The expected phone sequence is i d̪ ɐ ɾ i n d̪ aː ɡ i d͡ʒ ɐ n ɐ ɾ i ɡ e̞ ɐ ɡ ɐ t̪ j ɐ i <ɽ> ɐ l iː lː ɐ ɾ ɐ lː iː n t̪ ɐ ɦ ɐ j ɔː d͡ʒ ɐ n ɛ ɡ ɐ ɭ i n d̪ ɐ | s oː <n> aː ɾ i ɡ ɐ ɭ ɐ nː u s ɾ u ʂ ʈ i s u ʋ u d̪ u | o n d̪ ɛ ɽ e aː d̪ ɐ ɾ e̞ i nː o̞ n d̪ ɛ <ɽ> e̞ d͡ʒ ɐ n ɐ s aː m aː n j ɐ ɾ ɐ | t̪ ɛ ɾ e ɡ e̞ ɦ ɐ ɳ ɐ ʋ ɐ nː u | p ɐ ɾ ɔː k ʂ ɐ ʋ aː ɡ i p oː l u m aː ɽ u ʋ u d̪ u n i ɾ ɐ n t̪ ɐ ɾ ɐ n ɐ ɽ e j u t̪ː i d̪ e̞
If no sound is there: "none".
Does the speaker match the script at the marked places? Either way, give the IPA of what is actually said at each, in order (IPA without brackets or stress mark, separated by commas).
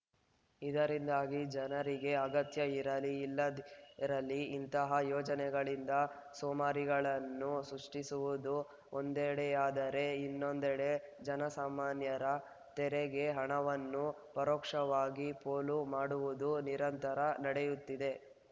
ɾ, m, ɽ